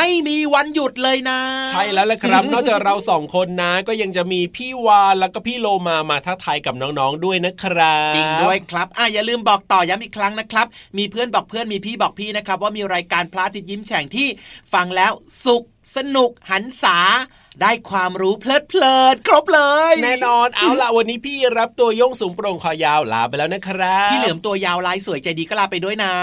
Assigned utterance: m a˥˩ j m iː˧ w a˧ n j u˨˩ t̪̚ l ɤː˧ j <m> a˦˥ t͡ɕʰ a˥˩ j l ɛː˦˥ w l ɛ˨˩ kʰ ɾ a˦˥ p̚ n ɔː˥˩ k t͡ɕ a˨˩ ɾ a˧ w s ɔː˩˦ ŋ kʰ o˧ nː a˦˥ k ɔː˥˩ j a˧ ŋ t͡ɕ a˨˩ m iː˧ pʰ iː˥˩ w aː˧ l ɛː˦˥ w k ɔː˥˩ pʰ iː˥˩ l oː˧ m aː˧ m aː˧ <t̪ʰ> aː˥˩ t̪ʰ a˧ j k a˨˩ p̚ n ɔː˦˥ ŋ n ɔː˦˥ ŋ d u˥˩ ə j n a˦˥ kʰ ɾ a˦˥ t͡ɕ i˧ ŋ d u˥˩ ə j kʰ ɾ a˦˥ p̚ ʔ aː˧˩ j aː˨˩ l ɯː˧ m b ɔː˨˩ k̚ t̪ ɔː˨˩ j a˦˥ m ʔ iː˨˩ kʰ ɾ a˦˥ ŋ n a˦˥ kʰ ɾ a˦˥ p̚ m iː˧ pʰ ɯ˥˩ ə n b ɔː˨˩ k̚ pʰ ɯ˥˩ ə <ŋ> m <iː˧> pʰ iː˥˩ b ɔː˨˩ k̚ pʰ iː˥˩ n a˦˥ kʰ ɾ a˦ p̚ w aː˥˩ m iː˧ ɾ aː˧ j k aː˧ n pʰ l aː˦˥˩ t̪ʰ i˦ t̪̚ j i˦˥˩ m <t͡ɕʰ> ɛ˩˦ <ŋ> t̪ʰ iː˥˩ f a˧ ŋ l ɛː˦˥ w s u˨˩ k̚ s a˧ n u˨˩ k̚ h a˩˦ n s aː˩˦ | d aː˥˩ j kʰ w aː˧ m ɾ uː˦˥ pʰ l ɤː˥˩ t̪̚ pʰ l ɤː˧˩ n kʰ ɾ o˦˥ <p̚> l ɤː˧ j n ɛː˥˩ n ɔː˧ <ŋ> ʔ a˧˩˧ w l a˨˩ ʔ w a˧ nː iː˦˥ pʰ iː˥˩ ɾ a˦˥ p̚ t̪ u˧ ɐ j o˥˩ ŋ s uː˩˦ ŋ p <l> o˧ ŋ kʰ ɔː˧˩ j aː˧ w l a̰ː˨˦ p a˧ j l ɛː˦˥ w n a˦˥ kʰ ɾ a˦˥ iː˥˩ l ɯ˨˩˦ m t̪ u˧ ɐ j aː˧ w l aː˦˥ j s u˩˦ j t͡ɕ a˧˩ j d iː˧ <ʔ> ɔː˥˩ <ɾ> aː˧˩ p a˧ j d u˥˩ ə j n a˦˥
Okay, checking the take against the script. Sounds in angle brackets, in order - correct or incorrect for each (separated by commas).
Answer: incorrect, correct, incorrect, correct, correct, correct, correct, incorrect, incorrect, incorrect, incorrect